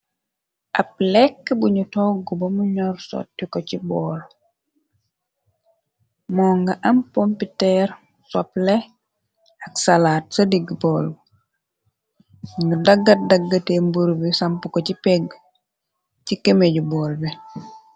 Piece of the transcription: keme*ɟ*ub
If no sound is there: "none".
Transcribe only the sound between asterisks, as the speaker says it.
ɟ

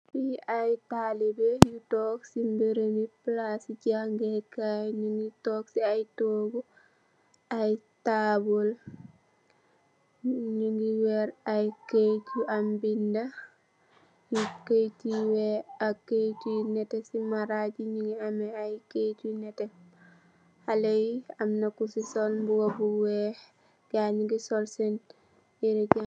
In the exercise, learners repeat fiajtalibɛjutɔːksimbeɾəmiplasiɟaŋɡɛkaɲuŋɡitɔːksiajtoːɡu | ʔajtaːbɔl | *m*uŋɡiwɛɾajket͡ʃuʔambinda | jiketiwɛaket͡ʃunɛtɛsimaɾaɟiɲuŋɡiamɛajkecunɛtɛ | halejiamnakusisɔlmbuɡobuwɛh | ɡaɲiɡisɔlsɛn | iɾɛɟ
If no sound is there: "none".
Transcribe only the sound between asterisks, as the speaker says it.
ɲ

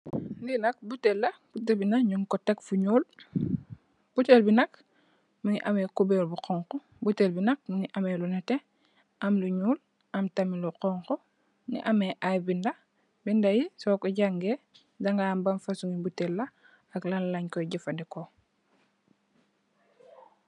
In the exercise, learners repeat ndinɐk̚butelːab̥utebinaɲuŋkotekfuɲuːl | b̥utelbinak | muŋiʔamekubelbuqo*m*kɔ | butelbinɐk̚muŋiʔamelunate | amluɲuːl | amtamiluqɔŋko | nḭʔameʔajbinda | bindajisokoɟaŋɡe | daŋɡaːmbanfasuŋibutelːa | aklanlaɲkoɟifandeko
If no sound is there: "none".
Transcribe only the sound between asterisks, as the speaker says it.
ŋ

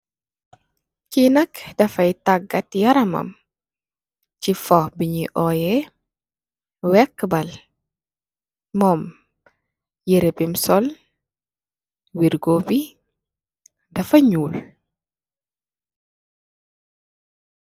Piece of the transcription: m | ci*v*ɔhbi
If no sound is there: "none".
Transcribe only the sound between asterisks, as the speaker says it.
f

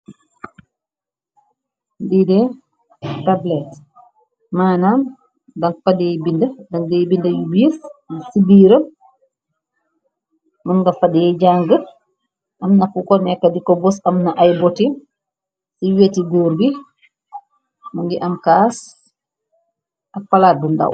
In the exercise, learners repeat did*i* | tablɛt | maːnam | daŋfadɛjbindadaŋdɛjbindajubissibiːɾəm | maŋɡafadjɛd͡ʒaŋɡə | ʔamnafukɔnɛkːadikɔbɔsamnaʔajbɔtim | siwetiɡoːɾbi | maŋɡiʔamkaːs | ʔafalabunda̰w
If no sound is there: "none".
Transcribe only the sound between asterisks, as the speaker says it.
ɛ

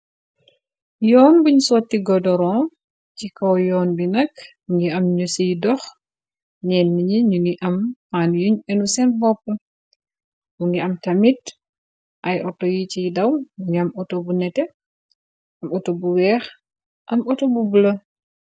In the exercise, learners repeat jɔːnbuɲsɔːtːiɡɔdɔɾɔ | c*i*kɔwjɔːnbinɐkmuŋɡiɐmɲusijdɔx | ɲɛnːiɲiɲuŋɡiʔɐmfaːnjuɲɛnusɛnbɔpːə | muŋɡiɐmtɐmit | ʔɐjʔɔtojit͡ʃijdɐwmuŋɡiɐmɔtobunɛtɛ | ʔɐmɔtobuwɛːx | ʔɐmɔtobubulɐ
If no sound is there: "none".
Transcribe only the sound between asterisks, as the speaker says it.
i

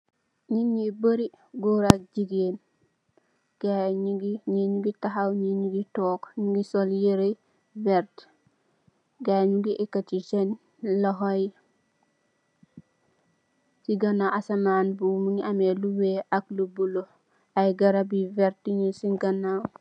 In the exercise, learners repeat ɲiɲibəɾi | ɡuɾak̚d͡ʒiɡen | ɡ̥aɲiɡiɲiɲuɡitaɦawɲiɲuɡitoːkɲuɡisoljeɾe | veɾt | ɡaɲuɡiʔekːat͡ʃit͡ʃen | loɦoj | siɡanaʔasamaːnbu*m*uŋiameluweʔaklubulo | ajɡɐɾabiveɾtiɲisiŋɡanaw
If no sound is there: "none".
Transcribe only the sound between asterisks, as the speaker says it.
m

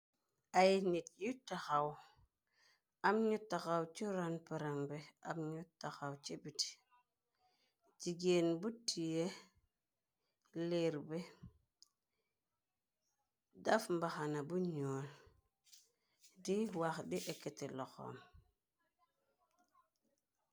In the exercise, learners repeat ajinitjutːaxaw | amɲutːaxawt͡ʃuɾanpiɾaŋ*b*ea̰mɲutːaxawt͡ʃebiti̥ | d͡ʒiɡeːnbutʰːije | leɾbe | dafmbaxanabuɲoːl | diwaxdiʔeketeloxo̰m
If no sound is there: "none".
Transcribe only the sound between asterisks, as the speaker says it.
b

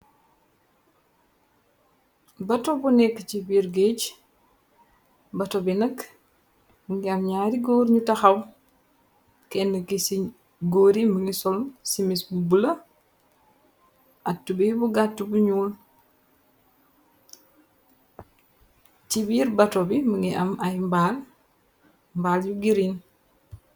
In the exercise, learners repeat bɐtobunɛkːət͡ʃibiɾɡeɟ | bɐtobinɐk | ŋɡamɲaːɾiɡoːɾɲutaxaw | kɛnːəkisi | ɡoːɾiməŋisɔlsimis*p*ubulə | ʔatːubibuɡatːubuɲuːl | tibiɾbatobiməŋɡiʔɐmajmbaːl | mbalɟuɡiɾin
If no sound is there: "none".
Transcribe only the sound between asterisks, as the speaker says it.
b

